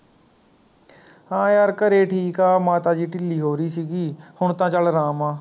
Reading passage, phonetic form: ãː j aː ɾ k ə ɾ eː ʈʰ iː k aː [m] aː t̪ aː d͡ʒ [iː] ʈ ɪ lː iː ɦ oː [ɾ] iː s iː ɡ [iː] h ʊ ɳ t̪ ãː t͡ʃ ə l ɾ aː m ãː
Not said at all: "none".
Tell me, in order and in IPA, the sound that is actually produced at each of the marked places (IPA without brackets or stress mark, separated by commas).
m, iː, ɾ, iː